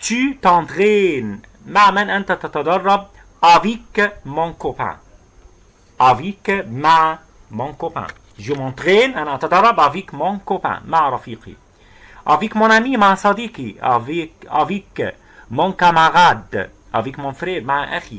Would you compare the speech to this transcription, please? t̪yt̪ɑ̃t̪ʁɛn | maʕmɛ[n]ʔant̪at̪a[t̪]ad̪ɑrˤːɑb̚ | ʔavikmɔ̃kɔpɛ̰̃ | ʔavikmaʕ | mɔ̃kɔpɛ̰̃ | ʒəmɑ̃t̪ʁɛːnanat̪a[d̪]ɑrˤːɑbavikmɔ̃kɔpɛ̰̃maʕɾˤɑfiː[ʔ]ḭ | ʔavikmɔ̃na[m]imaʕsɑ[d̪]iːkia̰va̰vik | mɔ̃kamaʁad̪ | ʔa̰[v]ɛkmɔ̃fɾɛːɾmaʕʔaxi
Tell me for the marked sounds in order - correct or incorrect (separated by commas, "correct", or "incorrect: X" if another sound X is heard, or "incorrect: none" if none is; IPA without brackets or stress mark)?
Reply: correct, correct, correct, incorrect: q, correct, correct, correct